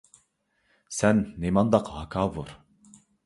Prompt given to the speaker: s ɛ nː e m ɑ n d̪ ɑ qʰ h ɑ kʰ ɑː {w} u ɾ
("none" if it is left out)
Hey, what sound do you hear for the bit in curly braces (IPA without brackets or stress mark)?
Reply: v